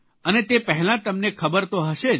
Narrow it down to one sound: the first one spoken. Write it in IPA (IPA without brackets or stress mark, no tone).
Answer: ə